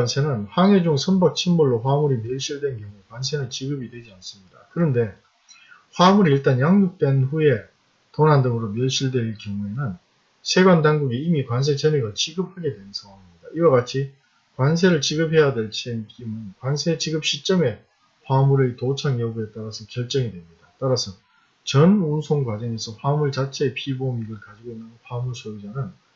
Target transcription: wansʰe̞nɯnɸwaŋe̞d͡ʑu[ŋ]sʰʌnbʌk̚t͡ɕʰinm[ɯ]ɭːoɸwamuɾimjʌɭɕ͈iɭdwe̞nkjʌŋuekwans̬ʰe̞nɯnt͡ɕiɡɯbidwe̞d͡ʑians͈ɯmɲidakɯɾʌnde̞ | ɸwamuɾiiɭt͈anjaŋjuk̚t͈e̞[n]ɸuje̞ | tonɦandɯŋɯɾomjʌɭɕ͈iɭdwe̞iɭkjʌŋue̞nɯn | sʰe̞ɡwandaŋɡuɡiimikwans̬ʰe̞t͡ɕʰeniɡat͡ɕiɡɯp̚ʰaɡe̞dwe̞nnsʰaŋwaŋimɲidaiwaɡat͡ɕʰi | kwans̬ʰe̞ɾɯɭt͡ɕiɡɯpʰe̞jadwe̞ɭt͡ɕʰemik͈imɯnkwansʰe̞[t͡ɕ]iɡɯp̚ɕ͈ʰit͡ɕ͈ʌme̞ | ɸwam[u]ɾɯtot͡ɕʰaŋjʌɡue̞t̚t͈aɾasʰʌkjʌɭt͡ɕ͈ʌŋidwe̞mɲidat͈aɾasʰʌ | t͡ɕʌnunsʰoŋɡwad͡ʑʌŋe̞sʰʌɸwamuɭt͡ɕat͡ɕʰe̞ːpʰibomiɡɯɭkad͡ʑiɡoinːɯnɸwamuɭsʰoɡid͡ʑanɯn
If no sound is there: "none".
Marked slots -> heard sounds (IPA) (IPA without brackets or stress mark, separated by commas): ŋ, u, n, t͡ɕ, u